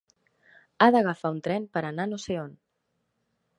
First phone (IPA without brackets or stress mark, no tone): a